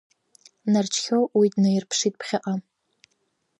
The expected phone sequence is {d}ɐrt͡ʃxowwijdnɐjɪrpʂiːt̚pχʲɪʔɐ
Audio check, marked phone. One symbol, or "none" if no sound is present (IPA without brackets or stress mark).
n